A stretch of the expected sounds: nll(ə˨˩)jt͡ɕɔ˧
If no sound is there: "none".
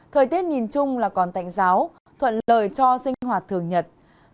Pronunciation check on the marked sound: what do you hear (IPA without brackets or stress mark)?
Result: əː˨˩